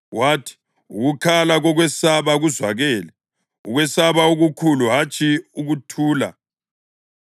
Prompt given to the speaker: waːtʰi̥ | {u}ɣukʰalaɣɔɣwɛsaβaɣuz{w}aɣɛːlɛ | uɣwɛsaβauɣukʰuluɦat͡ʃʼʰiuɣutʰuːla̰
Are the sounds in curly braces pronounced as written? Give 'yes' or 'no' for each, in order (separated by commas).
yes, yes